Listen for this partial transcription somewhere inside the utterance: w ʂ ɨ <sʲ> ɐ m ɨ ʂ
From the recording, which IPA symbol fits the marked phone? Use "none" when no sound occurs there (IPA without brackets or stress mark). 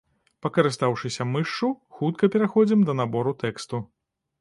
sʲ